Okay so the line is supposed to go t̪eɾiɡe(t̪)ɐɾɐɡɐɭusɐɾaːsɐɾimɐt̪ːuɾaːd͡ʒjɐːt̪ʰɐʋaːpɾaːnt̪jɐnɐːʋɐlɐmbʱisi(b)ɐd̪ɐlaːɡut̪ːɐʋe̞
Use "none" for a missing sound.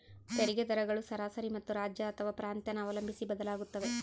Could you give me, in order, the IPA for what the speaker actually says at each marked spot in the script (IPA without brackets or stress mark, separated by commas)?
d̪, b